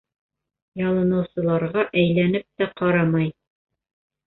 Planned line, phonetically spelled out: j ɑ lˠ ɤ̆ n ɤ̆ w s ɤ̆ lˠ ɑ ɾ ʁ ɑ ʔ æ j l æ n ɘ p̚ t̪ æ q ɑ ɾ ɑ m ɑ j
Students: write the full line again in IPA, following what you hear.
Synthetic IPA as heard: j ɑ lˠ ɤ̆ n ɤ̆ w s ɤ̆ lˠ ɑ ɾ ʁ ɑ ʔ æ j l æ n ɘ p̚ t̪ æ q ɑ ɾ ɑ m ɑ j

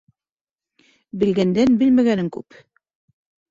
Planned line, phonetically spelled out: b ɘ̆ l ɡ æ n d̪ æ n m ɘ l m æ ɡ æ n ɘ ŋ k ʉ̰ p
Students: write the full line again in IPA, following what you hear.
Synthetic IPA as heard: b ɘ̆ l ɡ æ n d̪ æ n b ɘ l m æ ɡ æ n ɘ ŋ k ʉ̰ p

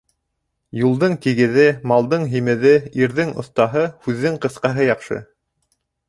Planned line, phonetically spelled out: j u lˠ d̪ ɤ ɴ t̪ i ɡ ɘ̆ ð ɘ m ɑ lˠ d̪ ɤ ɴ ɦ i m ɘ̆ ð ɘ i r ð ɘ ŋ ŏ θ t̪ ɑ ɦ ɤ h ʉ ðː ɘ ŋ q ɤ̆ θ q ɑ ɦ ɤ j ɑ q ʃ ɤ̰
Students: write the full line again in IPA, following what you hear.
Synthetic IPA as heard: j u lˠ d̪ ɤ ɴ t̪ i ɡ ɘ̆ ð ɘ m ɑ lˠ d̪ ɤ ɴ ɦ i m ɘ̆ ð ɘ i ɾ ð ɘ ŋ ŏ θ t̪ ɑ ɦ ɤ h ʉ ðː ɘ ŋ q ɤ̆ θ q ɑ ɦ ɤ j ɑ q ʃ ɤ̰

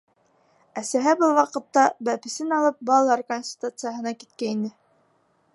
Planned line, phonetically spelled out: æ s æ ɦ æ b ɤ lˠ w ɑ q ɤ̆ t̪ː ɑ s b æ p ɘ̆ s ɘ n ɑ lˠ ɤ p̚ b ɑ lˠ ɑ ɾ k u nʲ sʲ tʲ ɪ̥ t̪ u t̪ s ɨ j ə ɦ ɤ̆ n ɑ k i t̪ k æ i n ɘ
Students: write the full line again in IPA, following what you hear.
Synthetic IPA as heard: æ s æ ɦ æ b ɤ lˠ w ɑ q ɤ̆ t̪ː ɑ b æ p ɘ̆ s ɘ n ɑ lˠ ɤ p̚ b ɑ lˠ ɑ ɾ k o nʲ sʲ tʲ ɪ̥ t̪ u t̪ s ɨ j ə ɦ ɤ̆ n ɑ k i t̪ k æ i n ɘ

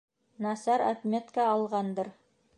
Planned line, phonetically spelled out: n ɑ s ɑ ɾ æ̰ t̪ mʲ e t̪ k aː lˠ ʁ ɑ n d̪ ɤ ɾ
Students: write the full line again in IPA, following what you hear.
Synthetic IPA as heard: n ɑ s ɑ ɾ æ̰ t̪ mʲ e t̪ k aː lˠ ʁ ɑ n d̪ ɤ ɾ

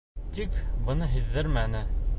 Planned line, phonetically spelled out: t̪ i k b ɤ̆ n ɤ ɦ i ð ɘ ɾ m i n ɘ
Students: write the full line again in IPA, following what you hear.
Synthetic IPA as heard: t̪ i k b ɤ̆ n ɤ ɦ i ðː ɘ ɾ m æ n ɘ

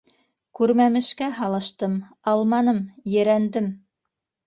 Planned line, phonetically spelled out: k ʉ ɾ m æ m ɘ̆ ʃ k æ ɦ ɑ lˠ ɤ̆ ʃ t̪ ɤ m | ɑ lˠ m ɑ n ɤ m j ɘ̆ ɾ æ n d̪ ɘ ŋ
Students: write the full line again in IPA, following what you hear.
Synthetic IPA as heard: k ʉ ɾ m æ m ɘ̆ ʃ k æ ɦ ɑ lˠ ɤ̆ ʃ t̪ ɤ m | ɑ lˠ m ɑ n ɤ m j ɘ̆ ɾ æ n d̪ ɘ m

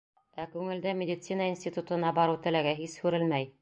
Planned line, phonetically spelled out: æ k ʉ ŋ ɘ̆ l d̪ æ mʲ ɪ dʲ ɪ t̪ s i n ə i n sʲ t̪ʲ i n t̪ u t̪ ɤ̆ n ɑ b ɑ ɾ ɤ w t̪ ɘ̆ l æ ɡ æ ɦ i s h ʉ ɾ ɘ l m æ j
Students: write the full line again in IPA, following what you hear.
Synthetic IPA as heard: æ k ʉ ŋ ɘ̆ l d̪ æ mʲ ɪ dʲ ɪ t̪ s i n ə i n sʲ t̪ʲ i t̪ u t̪ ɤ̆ n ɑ b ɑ ɾ ɤ w t̪ ɘ̆ l æ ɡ æ ɦ i s h ʉ ɾ ɘ l m æ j

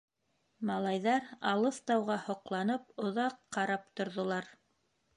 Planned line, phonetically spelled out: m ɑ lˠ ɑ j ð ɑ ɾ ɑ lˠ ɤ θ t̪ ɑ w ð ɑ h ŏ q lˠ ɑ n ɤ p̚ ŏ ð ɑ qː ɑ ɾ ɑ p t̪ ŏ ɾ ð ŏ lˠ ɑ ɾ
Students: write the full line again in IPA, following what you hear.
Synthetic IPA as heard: m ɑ lˠ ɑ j ð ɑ ɾ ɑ lˠ ɤ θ t̪ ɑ w ʁ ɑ h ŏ q lˠ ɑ n ɤ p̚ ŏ ð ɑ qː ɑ ɾ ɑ p t̪ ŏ ɾ ð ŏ lˠ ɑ ɾ

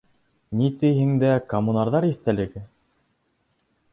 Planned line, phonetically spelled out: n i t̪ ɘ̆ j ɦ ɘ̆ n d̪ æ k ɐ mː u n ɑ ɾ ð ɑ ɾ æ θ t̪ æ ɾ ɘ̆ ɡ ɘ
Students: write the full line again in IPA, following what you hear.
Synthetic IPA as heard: n i t̪ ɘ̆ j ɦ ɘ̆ ŋ d̪ æ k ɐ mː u n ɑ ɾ ð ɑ ɾ i θ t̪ æ l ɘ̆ ɡ ɘ

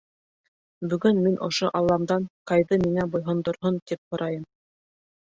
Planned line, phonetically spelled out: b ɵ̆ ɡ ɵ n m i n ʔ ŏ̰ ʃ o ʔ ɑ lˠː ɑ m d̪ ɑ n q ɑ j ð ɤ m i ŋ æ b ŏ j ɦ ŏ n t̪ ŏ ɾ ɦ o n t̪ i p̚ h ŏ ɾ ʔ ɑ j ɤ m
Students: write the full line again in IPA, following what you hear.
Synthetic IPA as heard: b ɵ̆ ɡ ɵ n m i n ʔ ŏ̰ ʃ o ʔ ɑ lˠː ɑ m d̪ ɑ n q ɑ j ð ɤ m i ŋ æ b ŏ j ɦ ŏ n d̪ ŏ ɾ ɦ o n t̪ i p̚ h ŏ ɾ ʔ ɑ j ɤ m

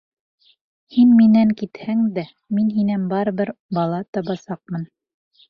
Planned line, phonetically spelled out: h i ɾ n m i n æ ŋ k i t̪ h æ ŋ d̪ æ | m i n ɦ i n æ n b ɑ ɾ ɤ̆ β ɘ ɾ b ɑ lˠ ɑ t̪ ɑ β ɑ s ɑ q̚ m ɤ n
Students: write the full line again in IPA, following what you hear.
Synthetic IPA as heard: h i n m i n æ ŋ k i t̪ h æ ŋ d̪ æ | m i n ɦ i n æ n b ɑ ɾ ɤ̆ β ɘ ɾ b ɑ lˠ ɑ t̪ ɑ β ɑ s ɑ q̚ m ɤ n

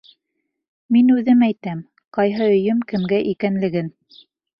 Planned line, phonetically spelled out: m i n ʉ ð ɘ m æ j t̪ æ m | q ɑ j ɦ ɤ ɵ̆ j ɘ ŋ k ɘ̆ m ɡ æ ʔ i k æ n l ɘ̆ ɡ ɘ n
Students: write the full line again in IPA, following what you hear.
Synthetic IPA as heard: m i n ʉ ð ɘ m æ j t̪ æ m | q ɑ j ɦ ɤ ɵ̆ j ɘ m k ɘ̆ m ɡ æ ʔ i k æ n l ɘ̆ ɡ ɘ n

